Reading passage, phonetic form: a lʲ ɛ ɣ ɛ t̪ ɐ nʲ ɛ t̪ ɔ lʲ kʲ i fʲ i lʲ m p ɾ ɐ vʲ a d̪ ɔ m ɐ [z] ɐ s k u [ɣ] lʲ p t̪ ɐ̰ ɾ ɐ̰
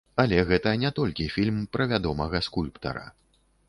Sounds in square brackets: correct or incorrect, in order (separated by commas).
incorrect, incorrect